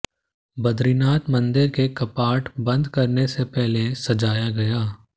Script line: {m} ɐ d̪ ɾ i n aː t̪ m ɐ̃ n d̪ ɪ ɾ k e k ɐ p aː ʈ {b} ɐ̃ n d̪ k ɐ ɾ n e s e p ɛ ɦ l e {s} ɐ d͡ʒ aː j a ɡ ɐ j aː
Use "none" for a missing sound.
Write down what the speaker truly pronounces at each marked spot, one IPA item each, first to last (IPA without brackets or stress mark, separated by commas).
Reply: b, b, s